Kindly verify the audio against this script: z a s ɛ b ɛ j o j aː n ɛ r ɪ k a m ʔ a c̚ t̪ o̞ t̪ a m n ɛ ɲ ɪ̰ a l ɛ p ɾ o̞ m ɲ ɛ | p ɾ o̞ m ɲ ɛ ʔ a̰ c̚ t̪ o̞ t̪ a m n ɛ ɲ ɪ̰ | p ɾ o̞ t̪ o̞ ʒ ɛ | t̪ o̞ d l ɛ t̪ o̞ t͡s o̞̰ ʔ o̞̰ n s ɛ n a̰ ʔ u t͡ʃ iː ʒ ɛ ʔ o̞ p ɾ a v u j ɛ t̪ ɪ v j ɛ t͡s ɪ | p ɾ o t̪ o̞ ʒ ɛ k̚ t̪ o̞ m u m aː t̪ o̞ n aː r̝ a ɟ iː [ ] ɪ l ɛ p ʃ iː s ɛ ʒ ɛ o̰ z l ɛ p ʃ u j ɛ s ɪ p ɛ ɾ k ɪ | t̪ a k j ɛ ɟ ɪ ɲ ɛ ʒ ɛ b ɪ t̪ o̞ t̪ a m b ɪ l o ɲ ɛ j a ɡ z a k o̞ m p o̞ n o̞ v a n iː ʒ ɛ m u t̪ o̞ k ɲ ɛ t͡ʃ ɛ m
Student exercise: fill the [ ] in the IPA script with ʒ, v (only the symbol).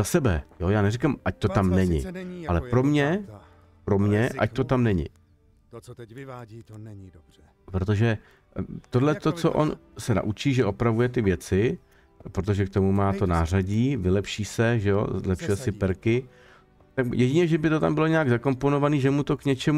v